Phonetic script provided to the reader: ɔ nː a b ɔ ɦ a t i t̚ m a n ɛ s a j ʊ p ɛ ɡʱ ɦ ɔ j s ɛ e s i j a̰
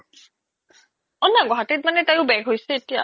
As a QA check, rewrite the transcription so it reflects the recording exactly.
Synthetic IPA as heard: ɔ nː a ɡ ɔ ɦ a t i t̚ m a n ɛ t a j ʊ b ɛ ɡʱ ɦ o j s ɛ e t i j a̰